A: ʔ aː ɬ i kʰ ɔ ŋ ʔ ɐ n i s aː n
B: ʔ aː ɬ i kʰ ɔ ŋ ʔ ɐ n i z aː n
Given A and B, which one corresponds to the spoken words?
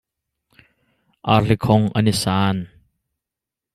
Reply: A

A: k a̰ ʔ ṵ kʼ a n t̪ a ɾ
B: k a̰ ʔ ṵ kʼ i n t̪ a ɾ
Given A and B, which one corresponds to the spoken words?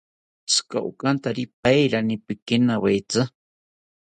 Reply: A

